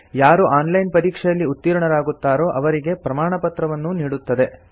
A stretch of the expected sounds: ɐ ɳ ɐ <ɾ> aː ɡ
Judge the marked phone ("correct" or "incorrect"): correct